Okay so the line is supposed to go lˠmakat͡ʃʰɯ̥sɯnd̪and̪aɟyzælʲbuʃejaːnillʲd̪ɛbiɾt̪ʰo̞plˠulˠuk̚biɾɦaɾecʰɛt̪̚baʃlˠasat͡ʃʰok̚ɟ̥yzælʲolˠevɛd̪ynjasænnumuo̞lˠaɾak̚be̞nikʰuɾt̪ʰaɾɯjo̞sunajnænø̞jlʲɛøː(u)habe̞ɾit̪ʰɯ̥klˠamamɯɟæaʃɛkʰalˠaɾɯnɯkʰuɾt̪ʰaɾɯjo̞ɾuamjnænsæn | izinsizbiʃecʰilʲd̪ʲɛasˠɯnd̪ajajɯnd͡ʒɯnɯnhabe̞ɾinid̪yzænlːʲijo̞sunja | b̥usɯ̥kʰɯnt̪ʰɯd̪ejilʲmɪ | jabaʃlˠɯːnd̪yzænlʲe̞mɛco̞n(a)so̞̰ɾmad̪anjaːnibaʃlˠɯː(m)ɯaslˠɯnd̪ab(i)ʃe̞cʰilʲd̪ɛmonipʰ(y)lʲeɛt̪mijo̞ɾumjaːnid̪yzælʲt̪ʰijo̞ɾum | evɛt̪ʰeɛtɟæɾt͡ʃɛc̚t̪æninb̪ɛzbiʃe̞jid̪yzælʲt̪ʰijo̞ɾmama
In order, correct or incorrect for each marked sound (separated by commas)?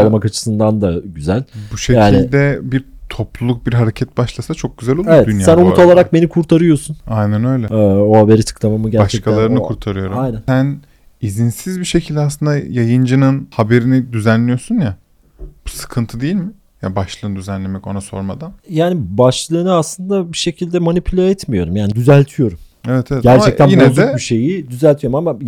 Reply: incorrect, correct, incorrect, correct, correct